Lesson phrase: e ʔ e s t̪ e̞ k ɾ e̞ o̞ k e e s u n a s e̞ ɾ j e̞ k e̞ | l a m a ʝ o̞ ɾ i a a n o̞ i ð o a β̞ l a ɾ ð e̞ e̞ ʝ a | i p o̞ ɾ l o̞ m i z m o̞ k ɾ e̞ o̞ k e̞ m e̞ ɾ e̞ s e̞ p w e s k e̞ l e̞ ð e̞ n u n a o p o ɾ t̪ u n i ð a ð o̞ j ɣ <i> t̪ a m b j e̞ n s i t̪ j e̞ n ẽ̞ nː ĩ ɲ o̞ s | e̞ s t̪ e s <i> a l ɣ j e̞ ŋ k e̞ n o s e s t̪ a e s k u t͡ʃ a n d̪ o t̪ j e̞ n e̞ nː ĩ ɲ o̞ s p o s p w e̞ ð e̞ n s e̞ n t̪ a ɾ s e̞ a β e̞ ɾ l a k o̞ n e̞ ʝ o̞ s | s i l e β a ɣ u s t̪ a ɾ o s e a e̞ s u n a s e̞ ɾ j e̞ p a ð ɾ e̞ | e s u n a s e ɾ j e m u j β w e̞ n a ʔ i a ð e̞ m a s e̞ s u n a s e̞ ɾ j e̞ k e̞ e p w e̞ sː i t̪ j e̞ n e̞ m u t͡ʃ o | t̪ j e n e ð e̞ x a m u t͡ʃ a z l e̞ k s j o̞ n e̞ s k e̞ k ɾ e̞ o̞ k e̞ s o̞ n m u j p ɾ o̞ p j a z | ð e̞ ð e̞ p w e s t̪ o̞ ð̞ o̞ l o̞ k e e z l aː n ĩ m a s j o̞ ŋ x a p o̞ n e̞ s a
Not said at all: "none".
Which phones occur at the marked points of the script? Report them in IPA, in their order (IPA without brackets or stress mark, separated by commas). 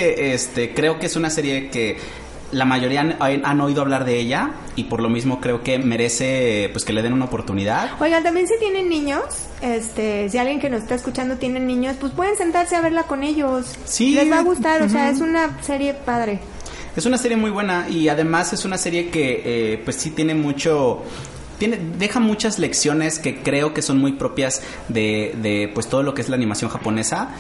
a, i